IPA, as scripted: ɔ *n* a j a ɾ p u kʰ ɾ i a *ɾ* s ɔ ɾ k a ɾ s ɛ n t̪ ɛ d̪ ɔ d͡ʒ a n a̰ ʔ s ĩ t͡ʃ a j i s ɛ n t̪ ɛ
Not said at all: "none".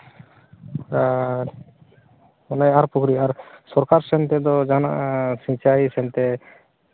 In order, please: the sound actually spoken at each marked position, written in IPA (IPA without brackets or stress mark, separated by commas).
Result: n, ɾ